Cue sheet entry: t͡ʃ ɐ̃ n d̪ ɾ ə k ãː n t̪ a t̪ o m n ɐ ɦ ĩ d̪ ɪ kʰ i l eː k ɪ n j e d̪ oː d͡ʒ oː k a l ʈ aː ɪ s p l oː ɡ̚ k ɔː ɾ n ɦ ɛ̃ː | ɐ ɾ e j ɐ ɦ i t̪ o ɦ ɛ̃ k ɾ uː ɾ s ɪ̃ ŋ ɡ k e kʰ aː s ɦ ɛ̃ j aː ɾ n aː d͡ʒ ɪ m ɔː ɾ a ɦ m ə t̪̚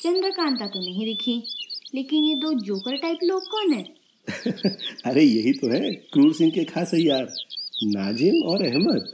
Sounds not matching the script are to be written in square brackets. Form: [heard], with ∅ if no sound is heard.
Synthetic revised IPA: t͡ʃ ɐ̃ n d̪ ɾ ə k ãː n t̪ a t̪ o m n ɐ ɦ ĩ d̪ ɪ kʰ i l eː k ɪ n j e d̪ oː d͡ʒ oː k [ə] l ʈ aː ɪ [∅] p l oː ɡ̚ k ɔː [∅] n ɦ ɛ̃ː | ɐ ɾ e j ɐ ɦ i t̪ o ɦ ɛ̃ k ɾ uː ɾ s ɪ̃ ŋ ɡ k e kʰ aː s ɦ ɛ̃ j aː ɾ n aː d͡ʒ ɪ m ɔː ɾ [ɛ] ɦ m ə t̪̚